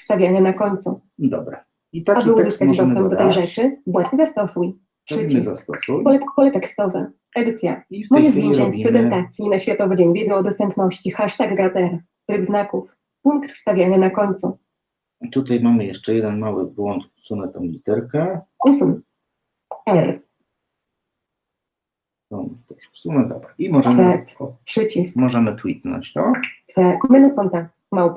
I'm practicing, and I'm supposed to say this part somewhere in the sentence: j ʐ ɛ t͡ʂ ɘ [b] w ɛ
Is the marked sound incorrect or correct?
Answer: correct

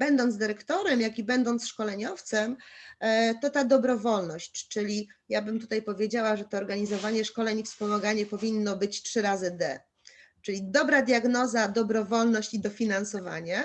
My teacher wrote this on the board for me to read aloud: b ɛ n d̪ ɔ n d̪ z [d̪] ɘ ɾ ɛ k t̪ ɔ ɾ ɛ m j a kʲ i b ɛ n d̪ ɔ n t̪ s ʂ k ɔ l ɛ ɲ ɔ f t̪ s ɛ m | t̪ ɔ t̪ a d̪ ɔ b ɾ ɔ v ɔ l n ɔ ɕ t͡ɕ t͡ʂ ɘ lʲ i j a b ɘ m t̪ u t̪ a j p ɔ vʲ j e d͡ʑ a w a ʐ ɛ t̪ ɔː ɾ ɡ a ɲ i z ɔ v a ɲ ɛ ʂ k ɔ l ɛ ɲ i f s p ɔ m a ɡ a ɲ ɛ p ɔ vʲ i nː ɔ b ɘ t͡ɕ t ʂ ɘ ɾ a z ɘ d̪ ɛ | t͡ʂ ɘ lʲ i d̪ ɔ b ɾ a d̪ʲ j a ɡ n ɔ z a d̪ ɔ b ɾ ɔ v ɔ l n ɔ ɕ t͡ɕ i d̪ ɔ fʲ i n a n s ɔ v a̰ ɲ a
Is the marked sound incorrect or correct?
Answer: correct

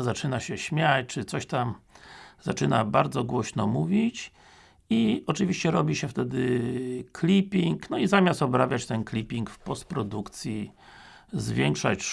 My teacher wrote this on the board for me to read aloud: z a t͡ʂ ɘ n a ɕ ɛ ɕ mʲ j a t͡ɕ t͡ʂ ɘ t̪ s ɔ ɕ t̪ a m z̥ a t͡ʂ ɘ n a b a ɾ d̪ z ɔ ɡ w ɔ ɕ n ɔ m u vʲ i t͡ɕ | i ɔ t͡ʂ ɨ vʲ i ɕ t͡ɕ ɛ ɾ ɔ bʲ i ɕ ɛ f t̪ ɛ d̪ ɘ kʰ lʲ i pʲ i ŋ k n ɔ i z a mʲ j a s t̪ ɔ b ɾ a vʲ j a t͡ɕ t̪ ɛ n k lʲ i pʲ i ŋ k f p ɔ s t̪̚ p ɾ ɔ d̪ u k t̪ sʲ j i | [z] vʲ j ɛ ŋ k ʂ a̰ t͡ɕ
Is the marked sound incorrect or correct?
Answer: correct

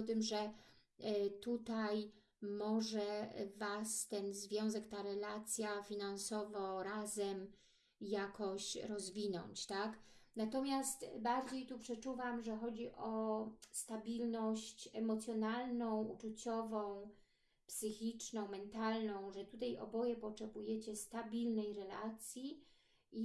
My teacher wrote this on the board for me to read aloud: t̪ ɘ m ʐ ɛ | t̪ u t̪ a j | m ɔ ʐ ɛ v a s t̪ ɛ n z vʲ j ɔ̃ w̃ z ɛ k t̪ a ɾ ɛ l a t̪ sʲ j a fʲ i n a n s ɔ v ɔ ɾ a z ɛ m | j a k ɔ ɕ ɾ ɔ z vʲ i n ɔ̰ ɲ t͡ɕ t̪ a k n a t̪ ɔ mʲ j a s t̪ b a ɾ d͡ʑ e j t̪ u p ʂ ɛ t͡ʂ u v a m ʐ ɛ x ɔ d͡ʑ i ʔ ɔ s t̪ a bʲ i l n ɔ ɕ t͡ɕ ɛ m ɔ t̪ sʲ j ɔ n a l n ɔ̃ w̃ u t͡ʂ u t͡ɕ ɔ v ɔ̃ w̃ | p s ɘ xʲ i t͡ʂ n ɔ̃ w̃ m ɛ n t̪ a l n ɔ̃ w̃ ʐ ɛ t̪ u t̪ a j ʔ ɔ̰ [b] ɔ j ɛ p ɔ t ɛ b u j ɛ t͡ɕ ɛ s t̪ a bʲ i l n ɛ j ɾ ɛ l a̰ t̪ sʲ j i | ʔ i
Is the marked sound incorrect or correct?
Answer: correct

